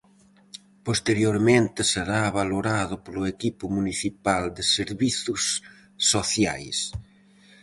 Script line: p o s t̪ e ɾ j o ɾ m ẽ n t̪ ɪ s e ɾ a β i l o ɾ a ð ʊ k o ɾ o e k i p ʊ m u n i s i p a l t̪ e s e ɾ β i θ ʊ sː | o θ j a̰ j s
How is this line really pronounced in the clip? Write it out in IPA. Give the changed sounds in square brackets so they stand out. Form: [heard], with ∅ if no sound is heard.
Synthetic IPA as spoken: p o s t̪ e ɾ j o ɾ m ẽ n t̪ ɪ s e ɾ a β [a] l o ɾ a ð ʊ [p] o [l] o e k i p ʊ m u n i [θ] i p a l [d̪] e s e ɾ β i θ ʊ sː | o θ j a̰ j s